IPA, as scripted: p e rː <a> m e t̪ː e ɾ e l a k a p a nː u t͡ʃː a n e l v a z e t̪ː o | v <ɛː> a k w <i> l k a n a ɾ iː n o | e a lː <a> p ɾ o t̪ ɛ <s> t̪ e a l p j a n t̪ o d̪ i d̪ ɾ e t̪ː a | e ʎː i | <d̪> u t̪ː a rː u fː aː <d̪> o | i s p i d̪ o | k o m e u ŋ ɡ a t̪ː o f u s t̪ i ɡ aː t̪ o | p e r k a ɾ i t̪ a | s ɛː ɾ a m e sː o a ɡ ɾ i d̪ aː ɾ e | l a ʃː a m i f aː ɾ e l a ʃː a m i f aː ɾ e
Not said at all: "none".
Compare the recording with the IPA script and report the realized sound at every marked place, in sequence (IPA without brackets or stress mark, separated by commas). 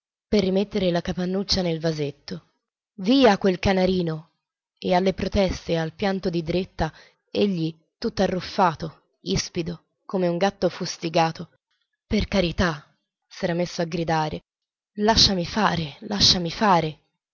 i, iː, e, e, s, t̪, t̪